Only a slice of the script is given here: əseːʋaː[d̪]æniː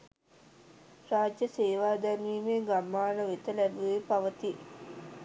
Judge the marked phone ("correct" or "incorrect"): correct